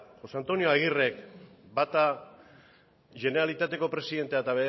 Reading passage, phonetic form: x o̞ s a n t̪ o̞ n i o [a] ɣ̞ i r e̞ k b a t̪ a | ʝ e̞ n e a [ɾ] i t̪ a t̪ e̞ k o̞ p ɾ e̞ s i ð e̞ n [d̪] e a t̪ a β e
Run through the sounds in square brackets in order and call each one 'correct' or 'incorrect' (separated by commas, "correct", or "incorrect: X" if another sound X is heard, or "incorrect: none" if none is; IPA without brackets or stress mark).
correct, incorrect: l, incorrect: t̪